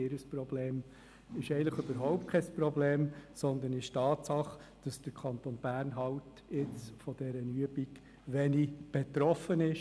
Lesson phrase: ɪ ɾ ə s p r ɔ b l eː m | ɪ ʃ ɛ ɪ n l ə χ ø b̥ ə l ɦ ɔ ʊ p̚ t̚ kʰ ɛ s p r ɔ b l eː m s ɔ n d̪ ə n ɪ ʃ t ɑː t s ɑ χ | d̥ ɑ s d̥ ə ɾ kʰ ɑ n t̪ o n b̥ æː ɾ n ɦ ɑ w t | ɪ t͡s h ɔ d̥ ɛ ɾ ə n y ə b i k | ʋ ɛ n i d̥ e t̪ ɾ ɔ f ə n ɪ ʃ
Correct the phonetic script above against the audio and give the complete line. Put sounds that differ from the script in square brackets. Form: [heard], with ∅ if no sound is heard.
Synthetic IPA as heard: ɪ ɾ ə s p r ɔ b l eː m | ɪ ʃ ɛ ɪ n l ə χ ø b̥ ə [ɾ] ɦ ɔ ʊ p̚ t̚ kʰ ɛ s p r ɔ b l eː m s ɔ n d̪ ə n ɪ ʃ t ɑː t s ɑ χ | d̥ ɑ s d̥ ə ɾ kʰ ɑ n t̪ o n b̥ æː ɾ n ɦ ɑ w t | ɪ t͡s [f] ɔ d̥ ɛ ɾ ə n y ə b i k | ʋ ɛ n i [b̥] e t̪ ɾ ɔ f ə n ɪ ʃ